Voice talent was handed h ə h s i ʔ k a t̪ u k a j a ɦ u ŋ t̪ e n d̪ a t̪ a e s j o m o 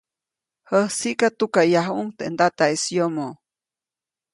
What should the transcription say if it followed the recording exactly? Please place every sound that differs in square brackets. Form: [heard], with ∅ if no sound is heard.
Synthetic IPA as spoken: h ə h s i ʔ k a t̪ u k a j a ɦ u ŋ t̪ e n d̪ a t̪ a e s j o m o